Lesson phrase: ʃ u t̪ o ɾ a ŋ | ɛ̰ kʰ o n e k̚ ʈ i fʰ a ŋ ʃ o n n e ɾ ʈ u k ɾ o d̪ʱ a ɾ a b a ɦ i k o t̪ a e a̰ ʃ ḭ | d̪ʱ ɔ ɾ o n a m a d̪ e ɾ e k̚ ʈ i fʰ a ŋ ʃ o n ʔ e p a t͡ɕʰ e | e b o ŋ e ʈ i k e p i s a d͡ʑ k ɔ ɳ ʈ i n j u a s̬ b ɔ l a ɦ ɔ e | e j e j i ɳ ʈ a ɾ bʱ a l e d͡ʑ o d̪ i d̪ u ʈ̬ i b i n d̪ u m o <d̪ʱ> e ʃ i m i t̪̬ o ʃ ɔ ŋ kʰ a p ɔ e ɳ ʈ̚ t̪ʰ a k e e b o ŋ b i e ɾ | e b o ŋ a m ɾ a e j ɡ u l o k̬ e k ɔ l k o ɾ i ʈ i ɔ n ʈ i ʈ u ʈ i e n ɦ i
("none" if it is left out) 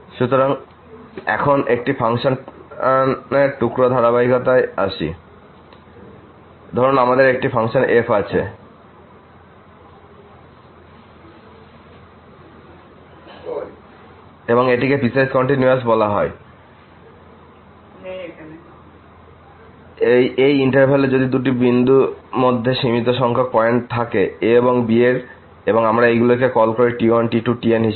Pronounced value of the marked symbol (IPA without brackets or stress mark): d̪ʱː